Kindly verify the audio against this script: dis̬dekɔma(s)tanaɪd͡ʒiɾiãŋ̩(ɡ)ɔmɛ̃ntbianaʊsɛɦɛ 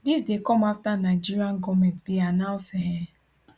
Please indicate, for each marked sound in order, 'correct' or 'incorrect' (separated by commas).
incorrect, correct